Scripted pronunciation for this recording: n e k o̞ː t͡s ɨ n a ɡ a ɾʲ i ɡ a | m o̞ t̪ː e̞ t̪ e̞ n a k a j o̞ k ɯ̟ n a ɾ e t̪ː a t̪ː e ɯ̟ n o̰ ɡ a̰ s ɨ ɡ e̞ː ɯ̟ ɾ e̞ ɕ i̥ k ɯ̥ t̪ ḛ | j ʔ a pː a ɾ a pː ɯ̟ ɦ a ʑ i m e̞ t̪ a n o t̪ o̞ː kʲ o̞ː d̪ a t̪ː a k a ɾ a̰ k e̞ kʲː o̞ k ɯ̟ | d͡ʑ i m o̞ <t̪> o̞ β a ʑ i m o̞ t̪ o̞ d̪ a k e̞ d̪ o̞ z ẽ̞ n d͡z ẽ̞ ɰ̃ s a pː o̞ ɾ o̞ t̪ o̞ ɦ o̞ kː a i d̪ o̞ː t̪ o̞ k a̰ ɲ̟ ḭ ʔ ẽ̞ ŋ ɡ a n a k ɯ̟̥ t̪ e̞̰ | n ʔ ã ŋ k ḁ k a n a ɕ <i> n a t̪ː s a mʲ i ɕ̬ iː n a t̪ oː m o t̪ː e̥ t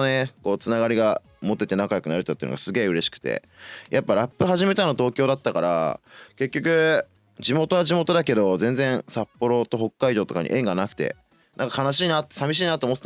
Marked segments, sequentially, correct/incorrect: correct, incorrect: iː

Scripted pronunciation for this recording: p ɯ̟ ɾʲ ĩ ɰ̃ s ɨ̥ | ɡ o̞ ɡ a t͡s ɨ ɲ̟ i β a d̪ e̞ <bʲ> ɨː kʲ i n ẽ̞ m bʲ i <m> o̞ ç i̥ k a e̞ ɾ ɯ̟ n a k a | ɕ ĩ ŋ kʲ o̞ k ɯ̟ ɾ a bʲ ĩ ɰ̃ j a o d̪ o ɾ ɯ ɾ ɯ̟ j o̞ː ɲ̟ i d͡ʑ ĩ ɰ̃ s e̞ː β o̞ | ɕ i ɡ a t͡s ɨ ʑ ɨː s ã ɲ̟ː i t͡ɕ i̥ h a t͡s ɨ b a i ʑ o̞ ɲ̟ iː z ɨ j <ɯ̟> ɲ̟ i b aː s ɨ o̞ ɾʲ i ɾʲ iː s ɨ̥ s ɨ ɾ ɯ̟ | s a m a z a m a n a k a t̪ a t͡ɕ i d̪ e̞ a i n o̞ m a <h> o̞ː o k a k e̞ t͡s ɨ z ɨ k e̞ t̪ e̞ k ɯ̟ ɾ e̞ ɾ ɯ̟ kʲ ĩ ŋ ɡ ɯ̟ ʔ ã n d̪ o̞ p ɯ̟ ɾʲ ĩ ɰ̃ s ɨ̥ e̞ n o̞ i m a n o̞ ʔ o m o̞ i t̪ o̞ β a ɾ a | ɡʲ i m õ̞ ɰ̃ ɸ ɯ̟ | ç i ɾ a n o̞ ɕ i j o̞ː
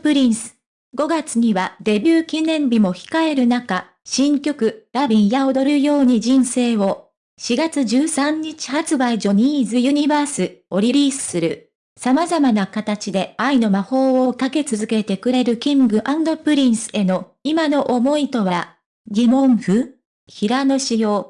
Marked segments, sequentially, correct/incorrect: correct, correct, correct, correct

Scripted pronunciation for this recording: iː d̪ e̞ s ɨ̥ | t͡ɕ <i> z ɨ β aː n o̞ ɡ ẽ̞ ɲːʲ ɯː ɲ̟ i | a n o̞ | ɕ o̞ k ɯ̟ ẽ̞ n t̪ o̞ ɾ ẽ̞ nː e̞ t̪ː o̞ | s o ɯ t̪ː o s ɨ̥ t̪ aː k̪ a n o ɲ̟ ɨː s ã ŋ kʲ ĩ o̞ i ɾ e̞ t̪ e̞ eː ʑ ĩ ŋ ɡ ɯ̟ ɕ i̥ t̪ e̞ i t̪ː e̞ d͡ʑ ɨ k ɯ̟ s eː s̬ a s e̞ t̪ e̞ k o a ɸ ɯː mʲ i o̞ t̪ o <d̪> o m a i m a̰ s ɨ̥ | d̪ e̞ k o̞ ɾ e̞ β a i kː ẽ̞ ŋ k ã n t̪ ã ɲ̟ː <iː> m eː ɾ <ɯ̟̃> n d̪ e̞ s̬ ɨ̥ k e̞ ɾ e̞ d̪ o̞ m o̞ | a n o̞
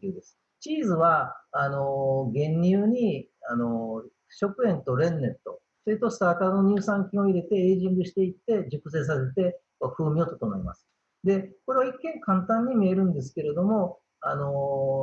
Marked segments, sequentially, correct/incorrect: incorrect: iː, incorrect: t̪, incorrect: i, correct

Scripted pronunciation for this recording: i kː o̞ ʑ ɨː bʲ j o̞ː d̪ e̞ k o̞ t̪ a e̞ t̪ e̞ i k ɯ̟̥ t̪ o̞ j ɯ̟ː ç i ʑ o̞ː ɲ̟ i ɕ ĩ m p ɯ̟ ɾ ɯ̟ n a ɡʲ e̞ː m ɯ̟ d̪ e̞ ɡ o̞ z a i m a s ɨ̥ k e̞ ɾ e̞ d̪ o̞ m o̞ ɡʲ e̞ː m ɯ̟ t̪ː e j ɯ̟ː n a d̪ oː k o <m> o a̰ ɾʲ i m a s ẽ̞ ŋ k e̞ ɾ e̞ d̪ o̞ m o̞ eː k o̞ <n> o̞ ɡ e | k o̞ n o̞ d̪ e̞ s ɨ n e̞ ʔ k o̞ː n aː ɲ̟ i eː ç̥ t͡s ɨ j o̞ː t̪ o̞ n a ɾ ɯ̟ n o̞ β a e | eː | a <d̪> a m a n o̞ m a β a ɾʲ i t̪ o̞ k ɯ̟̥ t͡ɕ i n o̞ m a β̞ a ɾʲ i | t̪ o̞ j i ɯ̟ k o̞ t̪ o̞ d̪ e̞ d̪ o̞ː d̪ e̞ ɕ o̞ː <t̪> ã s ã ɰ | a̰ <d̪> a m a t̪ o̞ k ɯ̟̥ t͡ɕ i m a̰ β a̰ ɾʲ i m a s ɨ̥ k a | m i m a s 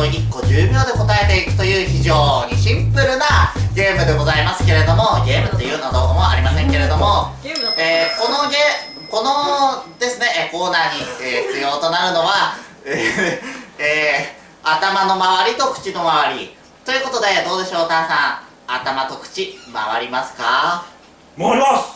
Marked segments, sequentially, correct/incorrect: correct, correct, incorrect: t̪, correct, incorrect: t̪

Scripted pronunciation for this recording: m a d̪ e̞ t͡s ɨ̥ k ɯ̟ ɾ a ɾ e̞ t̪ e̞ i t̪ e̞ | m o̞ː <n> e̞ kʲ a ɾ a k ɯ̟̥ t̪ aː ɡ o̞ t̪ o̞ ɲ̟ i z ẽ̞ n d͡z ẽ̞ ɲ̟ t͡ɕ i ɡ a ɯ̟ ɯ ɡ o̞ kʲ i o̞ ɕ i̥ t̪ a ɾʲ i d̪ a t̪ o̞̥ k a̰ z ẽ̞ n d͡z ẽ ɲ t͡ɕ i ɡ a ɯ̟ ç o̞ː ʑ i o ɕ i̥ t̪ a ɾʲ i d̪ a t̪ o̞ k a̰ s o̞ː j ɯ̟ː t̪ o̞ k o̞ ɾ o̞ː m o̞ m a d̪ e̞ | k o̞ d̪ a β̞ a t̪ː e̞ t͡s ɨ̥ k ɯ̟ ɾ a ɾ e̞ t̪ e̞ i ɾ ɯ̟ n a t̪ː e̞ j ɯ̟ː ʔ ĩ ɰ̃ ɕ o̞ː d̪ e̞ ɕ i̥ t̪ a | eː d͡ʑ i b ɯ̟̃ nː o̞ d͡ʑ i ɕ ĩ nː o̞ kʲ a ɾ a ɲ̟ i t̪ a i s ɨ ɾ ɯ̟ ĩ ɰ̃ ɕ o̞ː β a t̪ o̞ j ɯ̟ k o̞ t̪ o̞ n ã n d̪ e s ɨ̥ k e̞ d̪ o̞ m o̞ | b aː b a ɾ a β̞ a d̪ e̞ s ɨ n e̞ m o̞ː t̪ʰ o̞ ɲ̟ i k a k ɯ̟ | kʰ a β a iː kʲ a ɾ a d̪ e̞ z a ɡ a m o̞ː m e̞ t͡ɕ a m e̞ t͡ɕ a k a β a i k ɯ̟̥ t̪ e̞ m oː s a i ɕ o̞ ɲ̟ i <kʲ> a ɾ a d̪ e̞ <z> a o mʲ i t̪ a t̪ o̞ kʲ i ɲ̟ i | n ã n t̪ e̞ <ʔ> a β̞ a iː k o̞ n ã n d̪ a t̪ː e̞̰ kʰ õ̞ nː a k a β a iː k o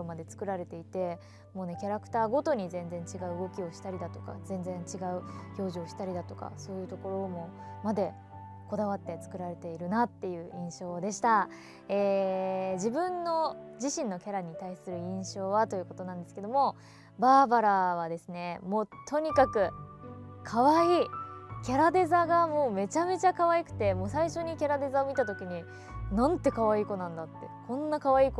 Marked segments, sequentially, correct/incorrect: correct, correct, correct, incorrect: k

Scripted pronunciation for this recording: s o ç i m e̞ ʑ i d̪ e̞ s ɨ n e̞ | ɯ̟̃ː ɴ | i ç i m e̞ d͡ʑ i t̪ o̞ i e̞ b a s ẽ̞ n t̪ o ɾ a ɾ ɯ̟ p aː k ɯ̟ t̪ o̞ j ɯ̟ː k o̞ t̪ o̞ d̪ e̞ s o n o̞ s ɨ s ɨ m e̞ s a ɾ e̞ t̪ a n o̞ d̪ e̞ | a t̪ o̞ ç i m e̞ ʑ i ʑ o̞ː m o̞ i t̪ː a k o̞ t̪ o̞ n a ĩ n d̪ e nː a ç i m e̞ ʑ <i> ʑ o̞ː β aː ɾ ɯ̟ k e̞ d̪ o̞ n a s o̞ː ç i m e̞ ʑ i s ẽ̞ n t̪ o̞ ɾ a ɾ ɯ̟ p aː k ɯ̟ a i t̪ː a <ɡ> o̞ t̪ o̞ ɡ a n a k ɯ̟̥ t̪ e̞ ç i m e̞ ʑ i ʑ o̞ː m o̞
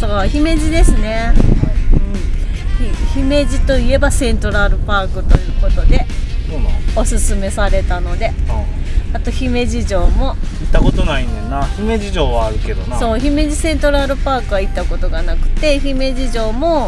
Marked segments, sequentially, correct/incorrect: correct, incorrect: k

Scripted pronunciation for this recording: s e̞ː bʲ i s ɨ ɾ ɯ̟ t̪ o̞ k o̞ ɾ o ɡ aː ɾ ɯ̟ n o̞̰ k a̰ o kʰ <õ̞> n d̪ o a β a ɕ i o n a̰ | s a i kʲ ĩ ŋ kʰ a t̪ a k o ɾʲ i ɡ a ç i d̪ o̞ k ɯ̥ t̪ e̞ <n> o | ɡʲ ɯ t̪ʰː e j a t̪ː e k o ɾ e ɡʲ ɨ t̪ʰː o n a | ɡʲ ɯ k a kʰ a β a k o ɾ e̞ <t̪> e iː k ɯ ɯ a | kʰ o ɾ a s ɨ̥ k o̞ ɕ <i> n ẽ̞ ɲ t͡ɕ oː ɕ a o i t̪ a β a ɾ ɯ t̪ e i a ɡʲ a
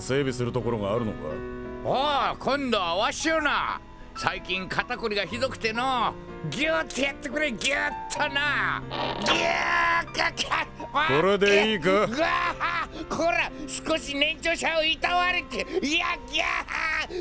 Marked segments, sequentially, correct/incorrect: correct, correct, incorrect: d̪, correct

